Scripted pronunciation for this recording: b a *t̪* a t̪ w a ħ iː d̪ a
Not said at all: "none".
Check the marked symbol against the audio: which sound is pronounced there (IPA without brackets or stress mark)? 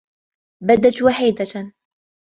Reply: d̪